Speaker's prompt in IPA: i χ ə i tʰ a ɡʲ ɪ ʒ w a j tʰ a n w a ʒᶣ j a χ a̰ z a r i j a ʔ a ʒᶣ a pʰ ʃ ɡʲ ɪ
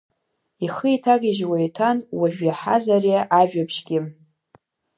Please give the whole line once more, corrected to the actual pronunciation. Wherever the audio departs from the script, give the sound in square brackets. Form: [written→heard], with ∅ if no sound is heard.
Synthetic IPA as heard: i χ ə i tʰ a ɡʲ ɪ ʒ w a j tʰ a n w a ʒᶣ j a [χ→ħ] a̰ z a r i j a ʔ a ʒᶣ a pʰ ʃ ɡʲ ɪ

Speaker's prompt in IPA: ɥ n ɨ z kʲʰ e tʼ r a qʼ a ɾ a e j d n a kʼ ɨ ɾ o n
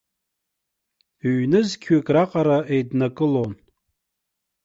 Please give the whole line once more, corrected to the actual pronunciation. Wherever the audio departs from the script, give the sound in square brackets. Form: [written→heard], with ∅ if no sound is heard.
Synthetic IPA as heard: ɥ n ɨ z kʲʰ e [tʼ→kʼ] r a qʼ a ɾ a e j d n a kʼ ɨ [ɾ→l] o n

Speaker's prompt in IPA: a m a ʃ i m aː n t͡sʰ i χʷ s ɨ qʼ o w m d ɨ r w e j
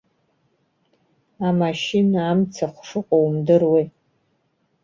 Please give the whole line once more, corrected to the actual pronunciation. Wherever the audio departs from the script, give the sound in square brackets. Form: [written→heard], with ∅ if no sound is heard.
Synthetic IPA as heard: a m a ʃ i [m→n] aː [n→m] t͡sʰ [i→a] χʷ [s→ʂ] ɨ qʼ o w m d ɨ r w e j

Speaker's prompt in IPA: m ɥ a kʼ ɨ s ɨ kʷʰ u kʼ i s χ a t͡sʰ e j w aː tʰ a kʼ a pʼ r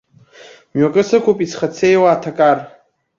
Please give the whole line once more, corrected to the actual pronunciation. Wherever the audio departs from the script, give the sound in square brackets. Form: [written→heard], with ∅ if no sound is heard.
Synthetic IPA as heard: m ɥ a kʼ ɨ s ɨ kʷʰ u [kʼ→pʼ] i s χ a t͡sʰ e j w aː tʰ a kʼ a [pʼ→∅] r

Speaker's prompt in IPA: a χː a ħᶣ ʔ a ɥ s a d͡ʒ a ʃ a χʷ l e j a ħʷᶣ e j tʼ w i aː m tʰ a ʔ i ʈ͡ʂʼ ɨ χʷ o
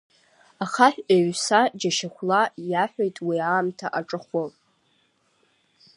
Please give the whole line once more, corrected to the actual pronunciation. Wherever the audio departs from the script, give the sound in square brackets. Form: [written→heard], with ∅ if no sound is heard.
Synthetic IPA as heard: a [χː→χ] a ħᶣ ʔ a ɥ s a d͡ʒ a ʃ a χʷ l [e→a] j a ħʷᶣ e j tʼ w i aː m tʰ a ʔ [i→a] ʈ͡ʂʼ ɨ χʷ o

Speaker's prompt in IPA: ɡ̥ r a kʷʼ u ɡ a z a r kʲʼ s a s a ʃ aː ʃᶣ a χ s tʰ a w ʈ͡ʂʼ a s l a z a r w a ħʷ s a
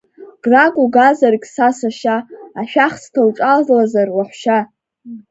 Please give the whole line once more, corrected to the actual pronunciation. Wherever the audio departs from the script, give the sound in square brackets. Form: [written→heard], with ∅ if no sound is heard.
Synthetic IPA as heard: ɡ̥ r a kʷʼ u ɡ a z a r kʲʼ s a s a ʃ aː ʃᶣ a χ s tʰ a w ʈ͡ʂʼ a [s→z] l a z a r w a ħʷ [s→ʃ] a

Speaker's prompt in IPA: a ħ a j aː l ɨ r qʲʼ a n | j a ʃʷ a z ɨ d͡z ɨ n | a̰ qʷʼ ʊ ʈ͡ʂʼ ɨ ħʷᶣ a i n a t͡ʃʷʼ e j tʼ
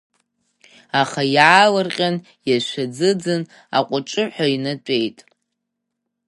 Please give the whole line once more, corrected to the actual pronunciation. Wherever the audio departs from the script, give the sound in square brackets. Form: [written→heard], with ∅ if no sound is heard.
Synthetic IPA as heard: a [ħ→χ] a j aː l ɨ r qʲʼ a n | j a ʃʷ a [z→d͡z] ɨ d͡z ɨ n | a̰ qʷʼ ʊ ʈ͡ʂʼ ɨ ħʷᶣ a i n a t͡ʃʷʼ e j tʼ

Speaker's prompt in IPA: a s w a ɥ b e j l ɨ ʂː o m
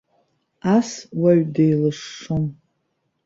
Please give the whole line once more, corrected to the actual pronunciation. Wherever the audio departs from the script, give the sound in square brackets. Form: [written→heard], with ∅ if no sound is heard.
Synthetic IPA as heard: a s w a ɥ [b→d] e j l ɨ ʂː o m

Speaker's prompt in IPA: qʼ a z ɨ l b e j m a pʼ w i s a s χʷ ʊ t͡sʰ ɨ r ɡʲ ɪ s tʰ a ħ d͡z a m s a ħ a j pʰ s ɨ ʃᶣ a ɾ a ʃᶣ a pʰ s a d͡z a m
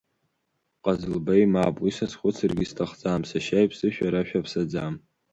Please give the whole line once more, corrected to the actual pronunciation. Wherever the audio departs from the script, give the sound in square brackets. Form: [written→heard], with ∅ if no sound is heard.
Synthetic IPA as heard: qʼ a z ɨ l b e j m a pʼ w i s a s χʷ ʊ t͡sʰ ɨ r ɡʲ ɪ s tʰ a [ħ→χ] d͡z a m s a [ħ→ʃ] a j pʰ s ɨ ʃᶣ a ɾ a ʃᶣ a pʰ s a d͡z a m

